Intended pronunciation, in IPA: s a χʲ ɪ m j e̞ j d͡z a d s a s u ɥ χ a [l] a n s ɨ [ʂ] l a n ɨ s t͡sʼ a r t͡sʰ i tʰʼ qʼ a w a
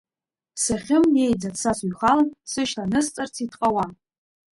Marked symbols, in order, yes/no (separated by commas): yes, no